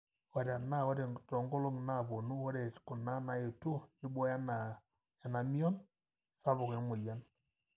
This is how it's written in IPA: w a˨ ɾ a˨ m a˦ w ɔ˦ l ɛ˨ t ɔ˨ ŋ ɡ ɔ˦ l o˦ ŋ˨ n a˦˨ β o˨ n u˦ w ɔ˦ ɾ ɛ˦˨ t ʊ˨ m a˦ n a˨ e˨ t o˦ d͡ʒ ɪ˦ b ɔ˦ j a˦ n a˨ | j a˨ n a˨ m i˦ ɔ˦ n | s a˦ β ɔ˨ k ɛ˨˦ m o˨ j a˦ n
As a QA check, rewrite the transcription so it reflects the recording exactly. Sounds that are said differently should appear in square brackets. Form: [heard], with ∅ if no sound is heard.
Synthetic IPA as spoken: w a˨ ɾ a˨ [n] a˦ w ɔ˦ [ɾ] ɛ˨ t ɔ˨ ŋ ɡ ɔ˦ l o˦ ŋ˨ n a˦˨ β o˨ n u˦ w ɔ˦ ɾ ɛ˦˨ [k] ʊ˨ [n] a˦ n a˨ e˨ t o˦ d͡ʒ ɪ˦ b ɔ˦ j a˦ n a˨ | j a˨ n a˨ m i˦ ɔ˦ n | s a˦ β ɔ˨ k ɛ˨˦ m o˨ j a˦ n